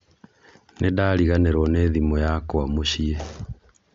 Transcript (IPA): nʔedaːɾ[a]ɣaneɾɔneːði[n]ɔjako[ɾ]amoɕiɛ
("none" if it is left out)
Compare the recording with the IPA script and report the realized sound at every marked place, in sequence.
i, m, none

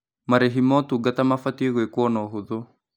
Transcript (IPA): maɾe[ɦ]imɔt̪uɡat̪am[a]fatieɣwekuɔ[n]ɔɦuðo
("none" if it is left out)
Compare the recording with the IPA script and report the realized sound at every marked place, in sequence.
ɦ, a, n

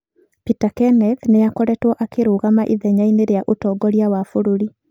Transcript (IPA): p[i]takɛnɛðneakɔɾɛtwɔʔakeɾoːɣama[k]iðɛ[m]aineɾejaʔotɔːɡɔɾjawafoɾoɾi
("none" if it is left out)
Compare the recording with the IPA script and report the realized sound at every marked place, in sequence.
i, ʔ, ɲ

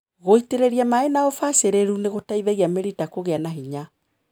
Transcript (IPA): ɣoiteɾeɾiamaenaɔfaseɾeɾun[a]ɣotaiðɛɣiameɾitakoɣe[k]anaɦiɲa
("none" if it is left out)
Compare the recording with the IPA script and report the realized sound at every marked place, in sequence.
e, none

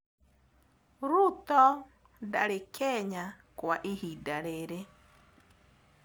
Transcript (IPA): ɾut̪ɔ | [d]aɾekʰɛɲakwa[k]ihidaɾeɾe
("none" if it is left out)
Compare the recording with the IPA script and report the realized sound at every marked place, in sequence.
d, ʔ

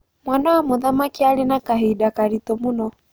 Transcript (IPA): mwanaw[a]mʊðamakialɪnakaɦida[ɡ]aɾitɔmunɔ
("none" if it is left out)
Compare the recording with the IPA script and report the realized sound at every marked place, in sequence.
a, k

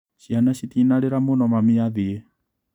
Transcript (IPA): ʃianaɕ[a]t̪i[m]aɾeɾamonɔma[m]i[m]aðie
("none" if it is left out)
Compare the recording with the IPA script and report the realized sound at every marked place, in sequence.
i, n, m, none

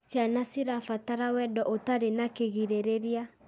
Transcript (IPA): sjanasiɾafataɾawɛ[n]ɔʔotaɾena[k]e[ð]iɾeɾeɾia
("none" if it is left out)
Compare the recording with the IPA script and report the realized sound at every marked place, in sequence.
d, k, ɣ

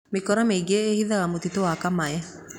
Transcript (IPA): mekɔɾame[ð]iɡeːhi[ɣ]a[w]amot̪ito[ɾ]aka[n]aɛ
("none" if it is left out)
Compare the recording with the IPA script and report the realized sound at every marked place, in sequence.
none, ð, ɣ, none, m

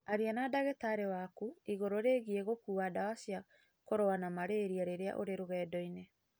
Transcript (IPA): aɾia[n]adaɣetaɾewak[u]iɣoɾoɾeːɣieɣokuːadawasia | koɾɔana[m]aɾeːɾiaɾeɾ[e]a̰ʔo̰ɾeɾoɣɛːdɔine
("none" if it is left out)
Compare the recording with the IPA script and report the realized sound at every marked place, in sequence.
n, u, m, e

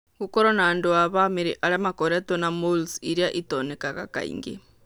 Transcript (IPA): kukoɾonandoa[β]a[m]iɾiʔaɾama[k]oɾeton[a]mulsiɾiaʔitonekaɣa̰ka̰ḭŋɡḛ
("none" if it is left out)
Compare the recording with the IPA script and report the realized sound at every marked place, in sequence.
β, m, k, a

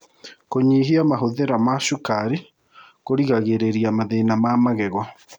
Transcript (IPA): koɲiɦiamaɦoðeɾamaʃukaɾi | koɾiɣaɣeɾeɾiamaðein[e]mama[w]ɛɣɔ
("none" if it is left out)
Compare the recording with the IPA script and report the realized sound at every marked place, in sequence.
a, ɣ

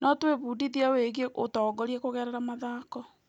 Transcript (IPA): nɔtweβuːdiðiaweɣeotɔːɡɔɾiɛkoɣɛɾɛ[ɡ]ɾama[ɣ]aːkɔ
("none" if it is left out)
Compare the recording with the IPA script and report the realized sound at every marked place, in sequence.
none, ð

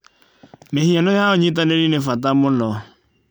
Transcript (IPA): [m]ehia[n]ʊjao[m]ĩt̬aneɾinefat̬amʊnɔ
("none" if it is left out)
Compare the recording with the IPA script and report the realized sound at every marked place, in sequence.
m, n, ɲ

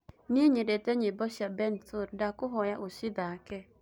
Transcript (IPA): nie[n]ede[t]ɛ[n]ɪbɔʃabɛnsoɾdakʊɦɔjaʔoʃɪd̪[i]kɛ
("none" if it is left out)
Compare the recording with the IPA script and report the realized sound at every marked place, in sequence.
ɲ, t, ɲ, a

